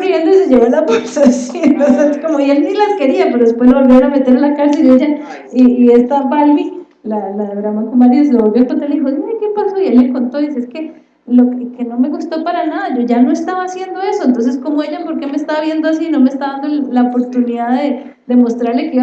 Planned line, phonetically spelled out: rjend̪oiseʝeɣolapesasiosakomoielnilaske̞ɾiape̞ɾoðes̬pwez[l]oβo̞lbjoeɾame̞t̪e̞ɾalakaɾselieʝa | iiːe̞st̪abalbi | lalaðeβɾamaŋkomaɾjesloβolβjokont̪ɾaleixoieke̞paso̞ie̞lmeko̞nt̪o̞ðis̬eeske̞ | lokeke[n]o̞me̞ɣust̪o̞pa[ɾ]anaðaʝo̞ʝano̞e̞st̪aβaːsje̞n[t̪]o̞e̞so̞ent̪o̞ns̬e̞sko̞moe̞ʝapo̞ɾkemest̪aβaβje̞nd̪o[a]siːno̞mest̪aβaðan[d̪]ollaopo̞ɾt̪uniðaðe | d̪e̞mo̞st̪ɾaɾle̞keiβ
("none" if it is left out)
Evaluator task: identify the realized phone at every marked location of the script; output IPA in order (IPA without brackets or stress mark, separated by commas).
l, n, ɾ, d̪, a, d̪